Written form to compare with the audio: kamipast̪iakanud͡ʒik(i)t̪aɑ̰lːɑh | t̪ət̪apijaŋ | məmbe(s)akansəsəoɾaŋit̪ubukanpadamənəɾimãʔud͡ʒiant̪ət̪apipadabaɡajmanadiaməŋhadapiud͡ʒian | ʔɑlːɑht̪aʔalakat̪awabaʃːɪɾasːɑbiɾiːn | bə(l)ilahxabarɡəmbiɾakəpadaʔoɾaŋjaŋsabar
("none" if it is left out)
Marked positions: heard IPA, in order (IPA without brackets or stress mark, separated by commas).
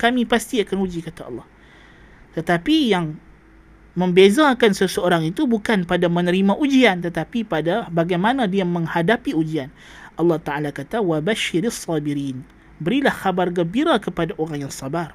a, z, ɾ